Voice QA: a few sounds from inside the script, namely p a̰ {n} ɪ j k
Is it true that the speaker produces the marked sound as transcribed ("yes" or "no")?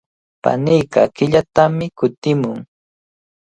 yes